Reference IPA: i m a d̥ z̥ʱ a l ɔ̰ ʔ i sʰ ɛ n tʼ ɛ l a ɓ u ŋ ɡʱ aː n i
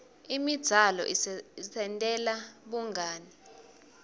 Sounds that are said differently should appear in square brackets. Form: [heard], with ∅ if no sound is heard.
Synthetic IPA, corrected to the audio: i m [i] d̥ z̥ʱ a l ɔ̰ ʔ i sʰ ɛ n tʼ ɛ l a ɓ u ŋ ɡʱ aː n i